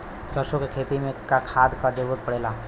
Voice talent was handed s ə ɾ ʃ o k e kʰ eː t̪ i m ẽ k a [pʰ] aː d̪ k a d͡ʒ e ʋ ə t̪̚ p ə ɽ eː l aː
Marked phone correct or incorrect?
incorrect